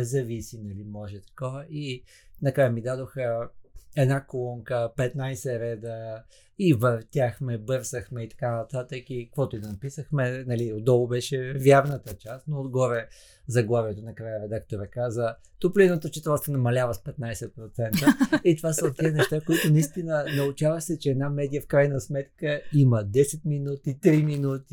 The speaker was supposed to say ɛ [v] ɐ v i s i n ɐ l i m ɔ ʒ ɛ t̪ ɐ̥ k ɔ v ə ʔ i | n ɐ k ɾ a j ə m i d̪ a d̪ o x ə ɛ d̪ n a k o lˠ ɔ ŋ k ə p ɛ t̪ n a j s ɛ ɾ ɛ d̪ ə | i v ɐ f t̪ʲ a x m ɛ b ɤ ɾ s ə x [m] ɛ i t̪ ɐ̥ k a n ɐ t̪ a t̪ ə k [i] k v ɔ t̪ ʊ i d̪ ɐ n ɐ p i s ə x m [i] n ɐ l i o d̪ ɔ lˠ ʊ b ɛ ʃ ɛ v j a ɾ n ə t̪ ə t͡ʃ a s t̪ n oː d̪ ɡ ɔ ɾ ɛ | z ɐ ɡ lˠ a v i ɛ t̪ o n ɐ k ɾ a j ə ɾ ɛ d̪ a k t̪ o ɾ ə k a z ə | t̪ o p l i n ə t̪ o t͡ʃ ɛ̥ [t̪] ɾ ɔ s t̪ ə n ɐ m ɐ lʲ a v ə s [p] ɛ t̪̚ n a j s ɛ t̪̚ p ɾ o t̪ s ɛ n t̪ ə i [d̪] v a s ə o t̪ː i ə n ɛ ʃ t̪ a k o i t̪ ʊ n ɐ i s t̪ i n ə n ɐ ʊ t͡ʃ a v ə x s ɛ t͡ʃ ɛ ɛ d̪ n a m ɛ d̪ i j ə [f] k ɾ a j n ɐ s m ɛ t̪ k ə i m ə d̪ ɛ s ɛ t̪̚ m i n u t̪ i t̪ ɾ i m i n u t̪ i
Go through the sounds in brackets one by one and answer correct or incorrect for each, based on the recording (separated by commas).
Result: incorrect, correct, correct, incorrect, correct, correct, incorrect, correct